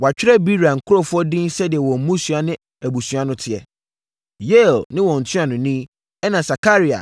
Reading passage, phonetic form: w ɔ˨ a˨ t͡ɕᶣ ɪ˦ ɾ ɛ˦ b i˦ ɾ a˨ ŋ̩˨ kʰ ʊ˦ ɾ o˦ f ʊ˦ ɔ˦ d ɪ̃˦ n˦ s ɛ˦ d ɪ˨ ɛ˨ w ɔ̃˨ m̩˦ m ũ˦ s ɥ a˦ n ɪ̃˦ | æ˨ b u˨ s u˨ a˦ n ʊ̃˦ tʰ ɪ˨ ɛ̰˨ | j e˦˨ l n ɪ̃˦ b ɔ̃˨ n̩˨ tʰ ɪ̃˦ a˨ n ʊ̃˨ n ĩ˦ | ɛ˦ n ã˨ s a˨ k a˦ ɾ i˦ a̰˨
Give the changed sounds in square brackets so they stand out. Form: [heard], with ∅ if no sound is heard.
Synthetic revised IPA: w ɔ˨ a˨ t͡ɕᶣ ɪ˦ ɾ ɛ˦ b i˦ ɾ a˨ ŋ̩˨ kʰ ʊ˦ ɾ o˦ f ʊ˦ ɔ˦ d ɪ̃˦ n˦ s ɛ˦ d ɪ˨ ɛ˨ w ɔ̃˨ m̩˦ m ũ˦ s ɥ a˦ n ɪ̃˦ | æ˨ b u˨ s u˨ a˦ n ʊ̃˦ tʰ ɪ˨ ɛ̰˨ | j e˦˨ l n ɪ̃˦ [w] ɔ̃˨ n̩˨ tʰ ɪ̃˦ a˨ n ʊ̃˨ n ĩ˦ | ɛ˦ n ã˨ s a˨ k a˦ ɾ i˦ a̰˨